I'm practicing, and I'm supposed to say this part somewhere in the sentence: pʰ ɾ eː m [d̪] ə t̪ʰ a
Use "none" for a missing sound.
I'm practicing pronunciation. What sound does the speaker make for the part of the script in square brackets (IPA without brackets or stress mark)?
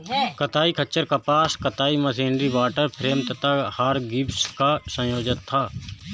t̪